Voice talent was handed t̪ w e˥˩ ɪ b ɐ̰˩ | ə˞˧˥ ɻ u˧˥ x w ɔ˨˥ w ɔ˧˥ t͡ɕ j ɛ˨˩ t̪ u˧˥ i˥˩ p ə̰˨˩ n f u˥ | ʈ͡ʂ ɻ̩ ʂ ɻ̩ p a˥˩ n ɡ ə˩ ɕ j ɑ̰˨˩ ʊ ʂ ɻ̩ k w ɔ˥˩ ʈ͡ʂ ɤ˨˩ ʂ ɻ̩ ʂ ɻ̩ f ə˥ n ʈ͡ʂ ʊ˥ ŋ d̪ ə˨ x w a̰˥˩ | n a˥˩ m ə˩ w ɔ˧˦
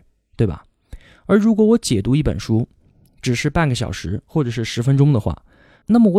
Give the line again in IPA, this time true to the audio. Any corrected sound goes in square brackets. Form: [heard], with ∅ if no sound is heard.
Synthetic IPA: t̪ w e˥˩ ɪ b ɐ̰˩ | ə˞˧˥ ɻ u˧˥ [k] w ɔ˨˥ w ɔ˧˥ t͡ɕ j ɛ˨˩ t̪ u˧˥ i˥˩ p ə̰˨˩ n [ʂ] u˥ | ʈ͡ʂ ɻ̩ ʂ ɻ̩ p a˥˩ n ɡ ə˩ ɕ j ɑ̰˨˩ ʊ ʂ ɻ̩ [x] w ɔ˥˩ ʈ͡ʂ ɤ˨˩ ʂ ɻ̩ ʂ ɻ̩ f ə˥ n ʈ͡ʂ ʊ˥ ŋ d̪ ə˨ x w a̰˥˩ | n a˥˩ m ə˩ w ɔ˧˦